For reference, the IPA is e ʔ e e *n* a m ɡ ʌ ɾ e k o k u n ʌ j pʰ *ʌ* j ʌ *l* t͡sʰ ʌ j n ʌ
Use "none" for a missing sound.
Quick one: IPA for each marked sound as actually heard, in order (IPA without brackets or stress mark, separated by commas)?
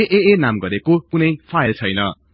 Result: n, a, l